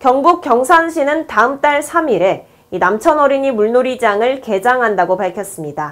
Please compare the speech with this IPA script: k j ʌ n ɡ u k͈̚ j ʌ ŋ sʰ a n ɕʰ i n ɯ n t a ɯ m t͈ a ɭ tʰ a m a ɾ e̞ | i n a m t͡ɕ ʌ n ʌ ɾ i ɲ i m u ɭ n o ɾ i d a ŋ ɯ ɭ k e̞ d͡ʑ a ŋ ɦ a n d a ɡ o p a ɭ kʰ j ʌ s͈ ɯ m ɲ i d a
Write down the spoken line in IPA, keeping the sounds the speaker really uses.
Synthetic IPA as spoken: k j ʌ ŋ ɡ u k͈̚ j ʌ ŋ sʰ a n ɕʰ i n ɯ n t a ɯ m t͈ a ɭ sʰ a m i ɾ e̞ | i n a m t͡ɕʰ ʌ n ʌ ɾ i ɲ i m u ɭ n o ɾ i d͡ʑ a ŋ ɯ ɭ k e̞ d͡ʑ a ŋ ɦ a n d a ɡ o p a ɭ kʰ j ʌ s͈ ɯ m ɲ i d a